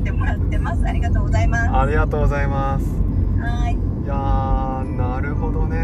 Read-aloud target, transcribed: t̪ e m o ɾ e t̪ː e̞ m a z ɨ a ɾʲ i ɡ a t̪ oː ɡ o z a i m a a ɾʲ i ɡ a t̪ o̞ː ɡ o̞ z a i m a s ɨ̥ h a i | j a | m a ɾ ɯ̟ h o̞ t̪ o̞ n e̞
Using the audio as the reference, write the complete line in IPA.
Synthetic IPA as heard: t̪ e m o ɾ a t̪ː e̞ m a s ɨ a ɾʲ i ɡ a t̪ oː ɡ o z a i m a a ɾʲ i ɡ a t̪ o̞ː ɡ o̞ z a i m a s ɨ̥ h a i | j a | n a ɾ ɯ̟ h o̞ d̪ o̞ n e̞